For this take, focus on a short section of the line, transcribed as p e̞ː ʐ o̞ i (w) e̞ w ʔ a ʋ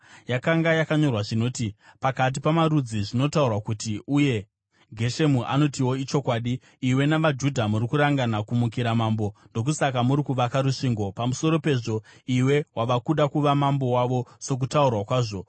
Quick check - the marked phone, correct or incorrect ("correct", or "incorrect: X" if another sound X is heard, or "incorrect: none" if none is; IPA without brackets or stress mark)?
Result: correct